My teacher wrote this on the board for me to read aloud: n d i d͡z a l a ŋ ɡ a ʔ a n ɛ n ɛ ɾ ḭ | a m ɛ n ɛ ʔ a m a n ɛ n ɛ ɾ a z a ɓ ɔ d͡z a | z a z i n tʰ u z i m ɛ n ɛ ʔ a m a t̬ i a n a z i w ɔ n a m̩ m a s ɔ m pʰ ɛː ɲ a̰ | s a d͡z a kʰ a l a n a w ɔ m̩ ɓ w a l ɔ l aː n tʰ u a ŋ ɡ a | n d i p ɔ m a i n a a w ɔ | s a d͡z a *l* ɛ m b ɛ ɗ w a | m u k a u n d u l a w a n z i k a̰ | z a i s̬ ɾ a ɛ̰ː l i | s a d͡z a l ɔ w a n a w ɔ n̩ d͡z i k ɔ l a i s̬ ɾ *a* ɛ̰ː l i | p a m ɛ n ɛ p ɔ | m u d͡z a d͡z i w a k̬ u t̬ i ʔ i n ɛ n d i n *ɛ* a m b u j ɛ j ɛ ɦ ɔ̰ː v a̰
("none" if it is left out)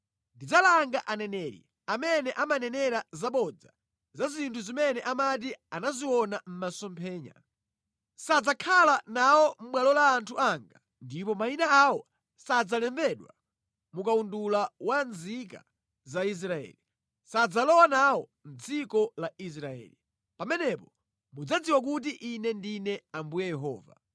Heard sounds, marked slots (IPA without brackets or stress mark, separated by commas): l, a, ɛ